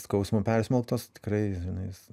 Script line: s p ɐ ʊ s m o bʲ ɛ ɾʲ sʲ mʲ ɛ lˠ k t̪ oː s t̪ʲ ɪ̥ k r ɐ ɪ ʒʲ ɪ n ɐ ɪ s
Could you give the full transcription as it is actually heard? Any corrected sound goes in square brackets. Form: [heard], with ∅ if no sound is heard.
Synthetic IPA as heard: s [k] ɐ ʊ s m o [pʲ] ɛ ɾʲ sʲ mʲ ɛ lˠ k t̪ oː s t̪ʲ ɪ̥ k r ɐ ɪ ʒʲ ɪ n ɐ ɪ s